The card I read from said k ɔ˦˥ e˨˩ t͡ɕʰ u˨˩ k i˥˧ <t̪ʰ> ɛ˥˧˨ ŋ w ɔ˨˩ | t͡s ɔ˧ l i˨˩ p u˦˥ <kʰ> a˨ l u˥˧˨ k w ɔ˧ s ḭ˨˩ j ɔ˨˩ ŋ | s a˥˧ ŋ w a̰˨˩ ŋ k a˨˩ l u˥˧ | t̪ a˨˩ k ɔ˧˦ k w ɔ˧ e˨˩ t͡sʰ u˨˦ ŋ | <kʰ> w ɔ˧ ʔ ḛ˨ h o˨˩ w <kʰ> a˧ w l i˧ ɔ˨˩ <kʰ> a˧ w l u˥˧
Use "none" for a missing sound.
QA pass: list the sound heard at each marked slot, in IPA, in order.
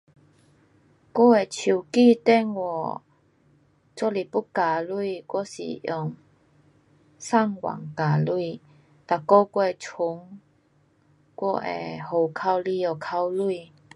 t̪, k, k, kʰ, kʰ

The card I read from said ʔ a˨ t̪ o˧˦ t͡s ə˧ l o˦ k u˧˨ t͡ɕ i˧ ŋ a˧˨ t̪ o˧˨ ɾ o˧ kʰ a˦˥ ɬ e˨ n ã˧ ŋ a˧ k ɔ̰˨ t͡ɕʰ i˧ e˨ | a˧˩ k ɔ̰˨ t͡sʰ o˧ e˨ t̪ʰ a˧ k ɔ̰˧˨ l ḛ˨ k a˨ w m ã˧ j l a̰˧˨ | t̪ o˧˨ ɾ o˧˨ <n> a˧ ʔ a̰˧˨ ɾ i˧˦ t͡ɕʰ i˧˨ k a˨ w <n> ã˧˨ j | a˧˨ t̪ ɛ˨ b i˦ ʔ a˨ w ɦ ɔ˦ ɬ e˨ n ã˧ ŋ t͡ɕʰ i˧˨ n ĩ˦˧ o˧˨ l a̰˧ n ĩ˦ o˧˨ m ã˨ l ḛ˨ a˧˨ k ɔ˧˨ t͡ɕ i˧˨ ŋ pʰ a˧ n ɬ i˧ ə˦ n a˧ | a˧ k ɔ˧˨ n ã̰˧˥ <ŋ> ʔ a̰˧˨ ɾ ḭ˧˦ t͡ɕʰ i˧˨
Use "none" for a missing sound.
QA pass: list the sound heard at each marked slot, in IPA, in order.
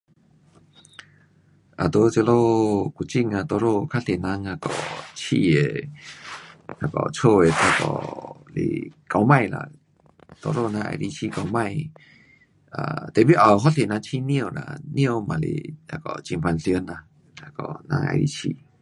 n, m, ŋ

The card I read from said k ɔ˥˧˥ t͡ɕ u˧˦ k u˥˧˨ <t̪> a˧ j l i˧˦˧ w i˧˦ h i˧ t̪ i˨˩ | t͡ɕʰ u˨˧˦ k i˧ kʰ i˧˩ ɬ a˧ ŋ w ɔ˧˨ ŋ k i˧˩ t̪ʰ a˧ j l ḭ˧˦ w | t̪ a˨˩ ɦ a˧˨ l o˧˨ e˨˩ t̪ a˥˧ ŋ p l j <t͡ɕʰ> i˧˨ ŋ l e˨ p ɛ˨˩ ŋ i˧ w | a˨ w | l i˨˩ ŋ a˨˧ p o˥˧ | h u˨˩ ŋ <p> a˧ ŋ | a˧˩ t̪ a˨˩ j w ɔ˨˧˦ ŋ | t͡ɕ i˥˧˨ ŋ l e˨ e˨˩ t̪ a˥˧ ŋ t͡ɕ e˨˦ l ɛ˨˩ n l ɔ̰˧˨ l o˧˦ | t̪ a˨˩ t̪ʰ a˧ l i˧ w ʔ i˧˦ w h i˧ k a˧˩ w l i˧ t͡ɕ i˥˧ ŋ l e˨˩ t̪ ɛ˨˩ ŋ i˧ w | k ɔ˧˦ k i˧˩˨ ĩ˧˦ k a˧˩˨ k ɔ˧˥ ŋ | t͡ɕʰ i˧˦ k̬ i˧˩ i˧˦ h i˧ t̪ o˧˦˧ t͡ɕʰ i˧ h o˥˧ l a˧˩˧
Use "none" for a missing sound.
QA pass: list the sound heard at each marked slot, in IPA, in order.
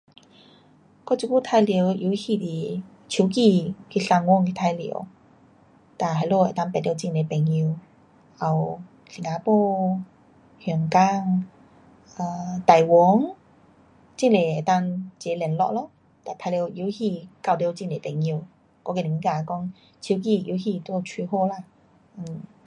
t̪ʰ, t͡ɕ, k

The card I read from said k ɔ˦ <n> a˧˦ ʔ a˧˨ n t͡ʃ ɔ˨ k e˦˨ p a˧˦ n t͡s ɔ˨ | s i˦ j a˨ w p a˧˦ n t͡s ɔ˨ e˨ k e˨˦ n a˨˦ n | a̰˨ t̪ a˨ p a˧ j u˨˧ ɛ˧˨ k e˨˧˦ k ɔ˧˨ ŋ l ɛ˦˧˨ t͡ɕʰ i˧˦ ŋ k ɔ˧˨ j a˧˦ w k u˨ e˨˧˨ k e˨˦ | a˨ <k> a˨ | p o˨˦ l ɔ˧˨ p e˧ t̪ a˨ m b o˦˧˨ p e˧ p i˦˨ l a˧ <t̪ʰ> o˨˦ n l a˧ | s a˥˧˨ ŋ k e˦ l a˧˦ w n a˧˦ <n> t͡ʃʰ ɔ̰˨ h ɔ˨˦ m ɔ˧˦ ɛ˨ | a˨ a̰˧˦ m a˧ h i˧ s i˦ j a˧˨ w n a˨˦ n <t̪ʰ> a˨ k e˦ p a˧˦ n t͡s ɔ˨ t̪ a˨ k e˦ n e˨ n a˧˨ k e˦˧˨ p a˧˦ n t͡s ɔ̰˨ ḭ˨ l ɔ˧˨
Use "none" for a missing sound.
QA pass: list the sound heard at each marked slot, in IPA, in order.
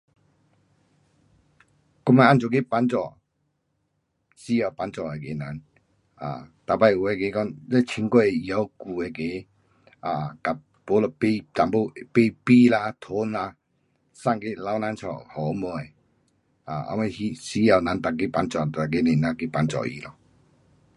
m, k, t̪ʰ, n, t̪

